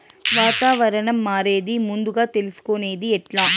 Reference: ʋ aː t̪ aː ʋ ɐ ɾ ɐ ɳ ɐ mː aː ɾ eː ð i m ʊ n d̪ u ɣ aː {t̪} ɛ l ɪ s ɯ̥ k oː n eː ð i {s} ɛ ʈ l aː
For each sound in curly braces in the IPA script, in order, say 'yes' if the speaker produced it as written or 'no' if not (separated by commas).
yes, no